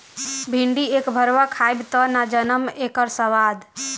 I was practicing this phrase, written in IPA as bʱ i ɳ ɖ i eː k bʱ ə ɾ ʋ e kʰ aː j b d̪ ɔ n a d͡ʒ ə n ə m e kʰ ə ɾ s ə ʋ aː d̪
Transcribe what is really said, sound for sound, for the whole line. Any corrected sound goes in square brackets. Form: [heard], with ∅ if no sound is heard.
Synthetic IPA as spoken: bʱ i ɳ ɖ i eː k bʱ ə ɾ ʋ [a] kʰ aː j b [t̪] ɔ n a d͡ʒ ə n ə m e [k] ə ɾ s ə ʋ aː d̪